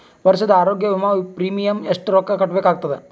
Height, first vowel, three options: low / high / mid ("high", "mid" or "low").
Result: low